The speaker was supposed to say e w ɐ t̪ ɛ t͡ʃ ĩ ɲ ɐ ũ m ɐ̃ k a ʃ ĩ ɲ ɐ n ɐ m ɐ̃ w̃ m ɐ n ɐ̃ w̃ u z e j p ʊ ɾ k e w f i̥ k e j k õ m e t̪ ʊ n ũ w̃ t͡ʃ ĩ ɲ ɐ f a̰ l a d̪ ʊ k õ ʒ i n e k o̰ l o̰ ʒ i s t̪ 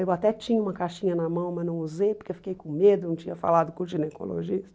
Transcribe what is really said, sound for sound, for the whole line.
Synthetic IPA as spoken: e w a t̪ ɛ t͡ʃ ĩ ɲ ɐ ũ m ɐ k a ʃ ĩ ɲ ɐ n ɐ m ɐ̃ w̃ m ɐ n ɐ̃ w̃ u z e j p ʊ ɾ k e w f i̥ k e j k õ m e d̪ ʊ n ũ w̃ t͡ʃ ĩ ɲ ɐ f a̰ l a d̪ ʊ k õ ʒ i n e k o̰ l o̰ ʒ i s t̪

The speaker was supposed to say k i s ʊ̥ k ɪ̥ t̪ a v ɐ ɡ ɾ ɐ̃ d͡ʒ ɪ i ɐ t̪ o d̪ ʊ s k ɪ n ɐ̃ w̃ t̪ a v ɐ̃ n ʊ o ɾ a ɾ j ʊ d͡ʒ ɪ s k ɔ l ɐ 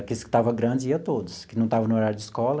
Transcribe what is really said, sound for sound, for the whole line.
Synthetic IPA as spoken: k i s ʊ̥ k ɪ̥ t̪ a v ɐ ɡ ɾ ɐ̃ d͡ʒ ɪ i ɐ t̪ o d̪ ʊ s k ɪ n ɐ̃ w̃ t̪ a v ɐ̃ n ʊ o ɾ a ɾ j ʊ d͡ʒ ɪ s k ɔ l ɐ

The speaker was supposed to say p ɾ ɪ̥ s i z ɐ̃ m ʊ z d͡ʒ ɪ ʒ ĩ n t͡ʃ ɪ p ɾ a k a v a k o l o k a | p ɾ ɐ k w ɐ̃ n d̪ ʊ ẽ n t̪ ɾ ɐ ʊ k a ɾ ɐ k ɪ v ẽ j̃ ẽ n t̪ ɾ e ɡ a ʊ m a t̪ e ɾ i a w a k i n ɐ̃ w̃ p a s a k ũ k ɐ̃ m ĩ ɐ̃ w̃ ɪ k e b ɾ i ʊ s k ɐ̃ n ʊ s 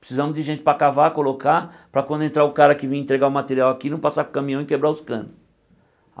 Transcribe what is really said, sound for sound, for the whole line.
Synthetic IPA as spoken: p ɾ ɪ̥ s i z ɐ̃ m ʊ z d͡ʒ ɪ ʒ ẽ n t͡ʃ ɪ p ɾ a k a v a k o l o k a | p ɾ ɐ k w ɐ̃ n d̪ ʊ ẽ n t̪ ɾ a ʊ k a ɾ ɐ k ɪ v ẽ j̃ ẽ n t̪ ɾ e ɡ a ʊ m a t̪ e ɾ i a w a k i n ɐ̃ w̃ p a s a k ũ k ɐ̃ m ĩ ɐ̃ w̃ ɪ k e b ɾ a ʊ s k ɐ̃ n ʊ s

